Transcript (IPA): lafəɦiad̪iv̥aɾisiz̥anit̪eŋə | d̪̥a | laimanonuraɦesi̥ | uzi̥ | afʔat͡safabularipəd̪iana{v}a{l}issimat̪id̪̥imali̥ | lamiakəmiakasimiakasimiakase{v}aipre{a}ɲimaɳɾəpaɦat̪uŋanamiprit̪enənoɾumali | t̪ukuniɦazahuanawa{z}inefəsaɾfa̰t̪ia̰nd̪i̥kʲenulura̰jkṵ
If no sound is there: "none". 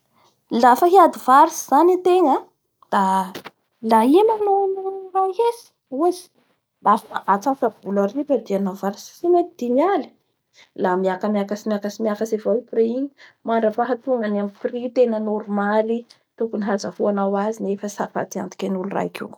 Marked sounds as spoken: v, ɾ, v, i, z

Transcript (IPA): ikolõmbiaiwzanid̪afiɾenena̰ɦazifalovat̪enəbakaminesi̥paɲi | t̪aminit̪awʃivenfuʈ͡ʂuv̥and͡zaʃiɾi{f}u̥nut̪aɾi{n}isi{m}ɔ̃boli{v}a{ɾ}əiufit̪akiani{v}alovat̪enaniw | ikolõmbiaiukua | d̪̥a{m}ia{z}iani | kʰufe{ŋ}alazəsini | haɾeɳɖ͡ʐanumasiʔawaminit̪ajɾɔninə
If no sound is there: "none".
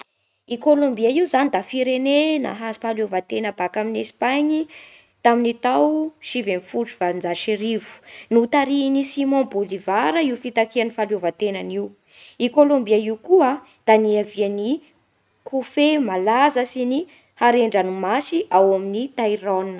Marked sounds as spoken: v, n, m, v, ɾ, f, n, v, m

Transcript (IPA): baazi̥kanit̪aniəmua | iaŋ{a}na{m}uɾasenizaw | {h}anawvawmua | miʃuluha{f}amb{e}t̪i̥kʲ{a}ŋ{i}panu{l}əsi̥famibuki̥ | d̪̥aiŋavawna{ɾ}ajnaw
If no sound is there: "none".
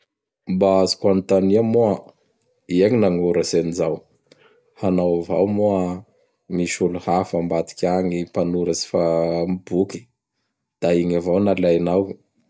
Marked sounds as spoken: i, ŋ, h, f, a, a, i, ɾ, l

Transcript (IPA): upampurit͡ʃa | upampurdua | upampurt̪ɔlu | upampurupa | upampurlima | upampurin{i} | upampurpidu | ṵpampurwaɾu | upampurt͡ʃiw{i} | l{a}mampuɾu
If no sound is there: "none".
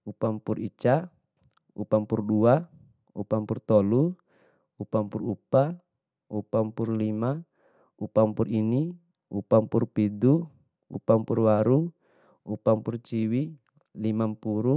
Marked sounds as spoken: i, i, i

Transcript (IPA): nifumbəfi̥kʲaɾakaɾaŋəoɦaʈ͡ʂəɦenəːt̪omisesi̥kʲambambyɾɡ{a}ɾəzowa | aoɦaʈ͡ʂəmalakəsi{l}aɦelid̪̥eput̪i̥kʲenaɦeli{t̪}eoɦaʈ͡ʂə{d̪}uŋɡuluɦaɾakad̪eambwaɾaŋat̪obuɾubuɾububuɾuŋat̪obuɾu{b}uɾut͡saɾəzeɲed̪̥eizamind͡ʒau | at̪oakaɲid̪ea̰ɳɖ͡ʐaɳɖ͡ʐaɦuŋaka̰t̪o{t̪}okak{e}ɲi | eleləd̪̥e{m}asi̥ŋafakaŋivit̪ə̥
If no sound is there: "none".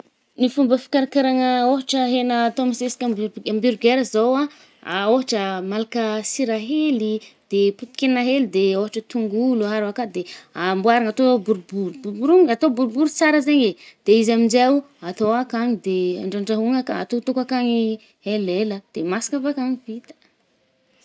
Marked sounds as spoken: e, ɾ, d̪, t̪, b, t̪, a, m

